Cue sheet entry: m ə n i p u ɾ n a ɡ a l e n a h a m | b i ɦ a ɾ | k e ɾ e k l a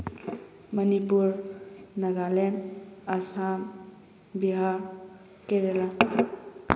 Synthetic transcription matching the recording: m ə n i p u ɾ n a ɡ a l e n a s a m | b i ɦ a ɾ | k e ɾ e l a